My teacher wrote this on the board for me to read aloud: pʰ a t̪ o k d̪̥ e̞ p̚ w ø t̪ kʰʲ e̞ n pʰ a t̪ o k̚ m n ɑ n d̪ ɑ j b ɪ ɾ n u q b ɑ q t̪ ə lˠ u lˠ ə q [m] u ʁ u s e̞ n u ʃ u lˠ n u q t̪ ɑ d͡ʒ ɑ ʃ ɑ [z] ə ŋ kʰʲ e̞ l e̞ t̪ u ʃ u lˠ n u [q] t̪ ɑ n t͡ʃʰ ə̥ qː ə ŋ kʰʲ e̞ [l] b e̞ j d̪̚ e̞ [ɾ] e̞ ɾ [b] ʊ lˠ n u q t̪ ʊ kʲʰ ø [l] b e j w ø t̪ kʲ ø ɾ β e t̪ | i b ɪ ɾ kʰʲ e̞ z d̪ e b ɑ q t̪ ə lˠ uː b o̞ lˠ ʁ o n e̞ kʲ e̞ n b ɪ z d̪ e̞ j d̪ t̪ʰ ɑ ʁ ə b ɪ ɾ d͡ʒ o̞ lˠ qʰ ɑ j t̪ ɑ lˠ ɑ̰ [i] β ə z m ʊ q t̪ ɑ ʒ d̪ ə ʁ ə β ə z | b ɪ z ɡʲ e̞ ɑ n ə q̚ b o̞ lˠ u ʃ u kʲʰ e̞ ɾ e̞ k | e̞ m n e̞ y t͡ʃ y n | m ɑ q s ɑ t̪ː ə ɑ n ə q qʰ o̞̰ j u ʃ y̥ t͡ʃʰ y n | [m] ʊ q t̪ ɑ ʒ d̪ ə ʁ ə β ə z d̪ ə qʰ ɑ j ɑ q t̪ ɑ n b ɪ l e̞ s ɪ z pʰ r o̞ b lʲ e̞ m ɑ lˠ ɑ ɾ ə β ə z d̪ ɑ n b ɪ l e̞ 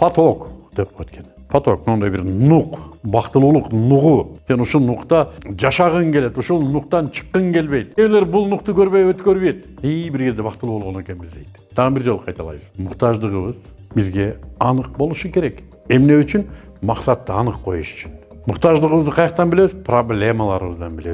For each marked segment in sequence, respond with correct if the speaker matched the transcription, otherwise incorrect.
incorrect: n, incorrect: ʁ, correct, correct, incorrect: l, correct, incorrect: ɾ, incorrect: j, correct

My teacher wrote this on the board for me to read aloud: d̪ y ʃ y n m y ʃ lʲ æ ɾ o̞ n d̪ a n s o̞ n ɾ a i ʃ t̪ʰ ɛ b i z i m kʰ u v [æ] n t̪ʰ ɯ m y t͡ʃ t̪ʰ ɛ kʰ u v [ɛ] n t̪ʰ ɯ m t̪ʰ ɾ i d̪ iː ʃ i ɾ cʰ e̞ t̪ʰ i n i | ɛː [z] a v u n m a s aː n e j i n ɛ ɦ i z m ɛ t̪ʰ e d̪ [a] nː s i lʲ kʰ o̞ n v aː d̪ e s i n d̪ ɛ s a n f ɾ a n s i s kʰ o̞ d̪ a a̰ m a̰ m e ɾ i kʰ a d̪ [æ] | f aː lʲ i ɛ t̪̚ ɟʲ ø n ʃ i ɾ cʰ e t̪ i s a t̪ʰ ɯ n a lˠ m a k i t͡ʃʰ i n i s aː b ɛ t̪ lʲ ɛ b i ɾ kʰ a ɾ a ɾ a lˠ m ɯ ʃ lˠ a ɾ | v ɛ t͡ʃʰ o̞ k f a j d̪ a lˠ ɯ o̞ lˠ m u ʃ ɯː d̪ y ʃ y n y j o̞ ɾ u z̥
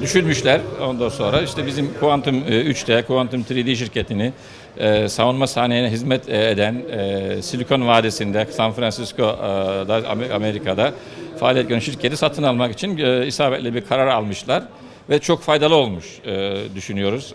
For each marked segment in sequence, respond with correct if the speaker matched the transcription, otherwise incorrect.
incorrect: a, incorrect: a, incorrect: s, incorrect: æ, incorrect: a

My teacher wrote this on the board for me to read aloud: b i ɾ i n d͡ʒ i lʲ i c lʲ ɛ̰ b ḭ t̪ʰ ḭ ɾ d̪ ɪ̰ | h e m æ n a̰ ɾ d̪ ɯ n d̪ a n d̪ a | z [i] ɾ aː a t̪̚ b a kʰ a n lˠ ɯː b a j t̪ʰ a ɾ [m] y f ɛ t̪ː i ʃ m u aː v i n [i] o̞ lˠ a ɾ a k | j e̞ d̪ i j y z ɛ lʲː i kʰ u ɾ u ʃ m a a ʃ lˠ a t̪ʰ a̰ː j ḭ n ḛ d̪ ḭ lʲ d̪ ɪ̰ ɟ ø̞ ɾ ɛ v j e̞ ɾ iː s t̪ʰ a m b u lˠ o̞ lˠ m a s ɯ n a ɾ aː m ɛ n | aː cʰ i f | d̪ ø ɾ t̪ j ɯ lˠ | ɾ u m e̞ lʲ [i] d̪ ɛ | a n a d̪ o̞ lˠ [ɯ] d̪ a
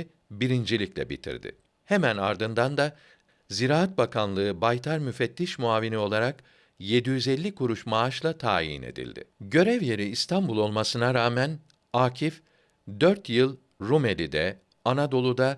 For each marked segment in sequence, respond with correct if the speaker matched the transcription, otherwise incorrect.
correct, correct, correct, correct, incorrect: u

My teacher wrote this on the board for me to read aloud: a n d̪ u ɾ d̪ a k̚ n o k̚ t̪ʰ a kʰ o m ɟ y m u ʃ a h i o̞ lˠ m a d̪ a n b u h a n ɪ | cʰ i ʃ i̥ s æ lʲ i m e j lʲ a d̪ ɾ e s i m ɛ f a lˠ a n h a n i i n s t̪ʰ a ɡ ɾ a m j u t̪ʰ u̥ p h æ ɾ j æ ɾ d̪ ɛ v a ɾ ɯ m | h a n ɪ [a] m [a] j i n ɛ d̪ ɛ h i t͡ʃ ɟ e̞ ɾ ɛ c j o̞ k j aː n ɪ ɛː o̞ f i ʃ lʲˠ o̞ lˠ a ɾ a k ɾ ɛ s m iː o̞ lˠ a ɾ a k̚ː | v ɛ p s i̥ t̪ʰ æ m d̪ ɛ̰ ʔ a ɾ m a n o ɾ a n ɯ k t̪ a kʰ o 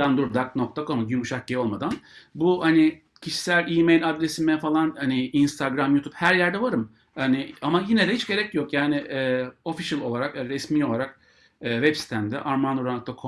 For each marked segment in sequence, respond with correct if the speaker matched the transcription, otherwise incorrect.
correct, correct

